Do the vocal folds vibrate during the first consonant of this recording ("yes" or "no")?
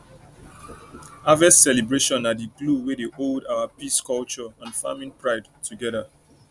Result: yes